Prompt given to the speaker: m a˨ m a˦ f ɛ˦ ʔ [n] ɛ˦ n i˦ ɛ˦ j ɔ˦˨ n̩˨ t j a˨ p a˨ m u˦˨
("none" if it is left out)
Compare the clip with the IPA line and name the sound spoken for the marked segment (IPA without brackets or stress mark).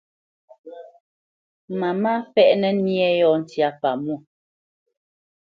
n